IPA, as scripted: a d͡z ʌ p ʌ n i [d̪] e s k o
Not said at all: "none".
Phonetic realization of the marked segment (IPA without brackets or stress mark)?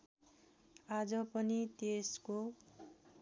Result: t̪